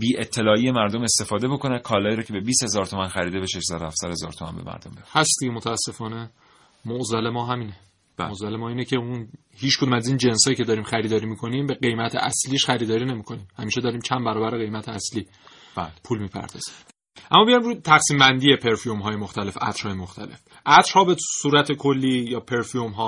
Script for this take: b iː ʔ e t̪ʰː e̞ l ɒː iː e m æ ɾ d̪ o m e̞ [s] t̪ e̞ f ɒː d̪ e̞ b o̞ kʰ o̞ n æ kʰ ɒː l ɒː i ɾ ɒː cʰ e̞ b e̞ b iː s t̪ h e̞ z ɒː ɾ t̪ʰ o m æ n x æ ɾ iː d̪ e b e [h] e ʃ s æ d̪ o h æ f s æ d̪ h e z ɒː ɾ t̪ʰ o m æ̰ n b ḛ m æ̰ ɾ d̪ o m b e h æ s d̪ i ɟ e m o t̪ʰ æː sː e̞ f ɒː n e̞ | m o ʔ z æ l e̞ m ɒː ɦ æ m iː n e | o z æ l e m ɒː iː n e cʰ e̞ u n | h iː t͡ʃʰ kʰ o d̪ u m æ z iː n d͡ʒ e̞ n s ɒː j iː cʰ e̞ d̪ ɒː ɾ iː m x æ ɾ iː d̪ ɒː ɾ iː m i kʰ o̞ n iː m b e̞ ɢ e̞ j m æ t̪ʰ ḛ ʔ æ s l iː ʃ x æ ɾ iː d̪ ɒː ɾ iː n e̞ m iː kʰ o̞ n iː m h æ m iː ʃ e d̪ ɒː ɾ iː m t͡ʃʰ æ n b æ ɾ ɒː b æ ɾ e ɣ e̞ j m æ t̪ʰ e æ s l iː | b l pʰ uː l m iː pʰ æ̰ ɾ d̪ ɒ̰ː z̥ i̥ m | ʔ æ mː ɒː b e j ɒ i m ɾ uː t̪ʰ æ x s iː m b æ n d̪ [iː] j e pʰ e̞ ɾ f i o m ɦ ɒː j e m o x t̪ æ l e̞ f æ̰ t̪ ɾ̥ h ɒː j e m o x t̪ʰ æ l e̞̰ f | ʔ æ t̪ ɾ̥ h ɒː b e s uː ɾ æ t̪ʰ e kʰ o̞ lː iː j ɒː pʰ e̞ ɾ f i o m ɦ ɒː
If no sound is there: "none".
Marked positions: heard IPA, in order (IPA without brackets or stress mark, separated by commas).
s, ʃ, i